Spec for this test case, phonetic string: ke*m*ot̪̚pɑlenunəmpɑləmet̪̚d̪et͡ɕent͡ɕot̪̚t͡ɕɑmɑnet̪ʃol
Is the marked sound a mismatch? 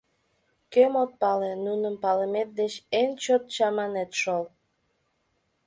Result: no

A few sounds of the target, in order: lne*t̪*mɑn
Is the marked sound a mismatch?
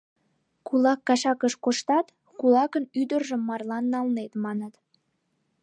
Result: no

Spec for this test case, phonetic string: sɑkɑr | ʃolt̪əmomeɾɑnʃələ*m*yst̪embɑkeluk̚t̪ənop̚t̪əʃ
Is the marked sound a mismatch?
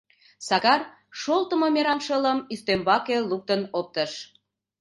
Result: no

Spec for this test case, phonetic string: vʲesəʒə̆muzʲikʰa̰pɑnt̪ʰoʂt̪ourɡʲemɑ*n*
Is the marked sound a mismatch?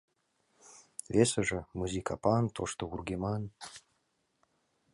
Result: no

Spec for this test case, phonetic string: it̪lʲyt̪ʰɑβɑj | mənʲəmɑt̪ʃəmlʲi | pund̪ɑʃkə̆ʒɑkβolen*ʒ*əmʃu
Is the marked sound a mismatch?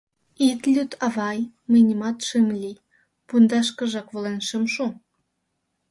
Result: yes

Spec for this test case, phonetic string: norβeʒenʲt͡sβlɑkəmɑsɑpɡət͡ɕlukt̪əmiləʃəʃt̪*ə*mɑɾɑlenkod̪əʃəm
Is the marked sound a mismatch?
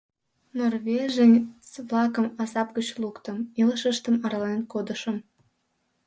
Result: no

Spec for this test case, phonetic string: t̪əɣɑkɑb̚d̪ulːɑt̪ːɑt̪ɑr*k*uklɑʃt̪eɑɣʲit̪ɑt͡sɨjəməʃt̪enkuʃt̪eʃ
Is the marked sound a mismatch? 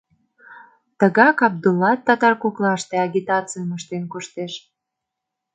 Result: no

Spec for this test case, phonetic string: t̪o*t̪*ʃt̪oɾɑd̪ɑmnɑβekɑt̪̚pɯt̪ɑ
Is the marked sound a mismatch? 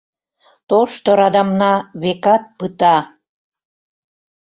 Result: yes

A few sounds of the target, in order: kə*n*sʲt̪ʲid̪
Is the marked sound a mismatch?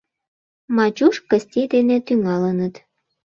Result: yes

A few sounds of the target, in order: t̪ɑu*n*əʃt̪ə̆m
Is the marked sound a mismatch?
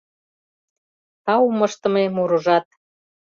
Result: yes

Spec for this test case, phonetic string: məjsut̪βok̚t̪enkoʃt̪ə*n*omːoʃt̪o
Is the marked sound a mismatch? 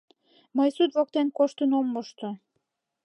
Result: no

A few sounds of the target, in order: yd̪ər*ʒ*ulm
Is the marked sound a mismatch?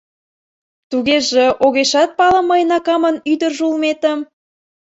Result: no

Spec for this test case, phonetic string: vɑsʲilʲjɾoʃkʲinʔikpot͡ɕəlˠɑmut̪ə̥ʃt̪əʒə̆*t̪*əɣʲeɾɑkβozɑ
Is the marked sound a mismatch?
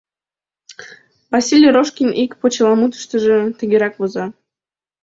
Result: no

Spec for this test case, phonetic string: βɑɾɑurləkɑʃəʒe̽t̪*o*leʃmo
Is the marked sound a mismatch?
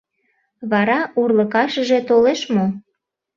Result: no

